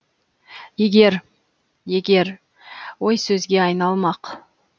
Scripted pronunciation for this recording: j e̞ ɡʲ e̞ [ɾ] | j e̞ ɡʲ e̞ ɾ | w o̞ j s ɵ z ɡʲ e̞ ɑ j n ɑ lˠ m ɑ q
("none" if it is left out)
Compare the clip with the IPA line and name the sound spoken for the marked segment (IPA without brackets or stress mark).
ɾ